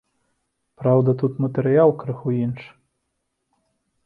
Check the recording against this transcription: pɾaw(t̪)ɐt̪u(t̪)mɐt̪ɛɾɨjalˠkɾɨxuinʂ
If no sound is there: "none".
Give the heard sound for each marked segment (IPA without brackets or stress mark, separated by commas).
d̪, t̪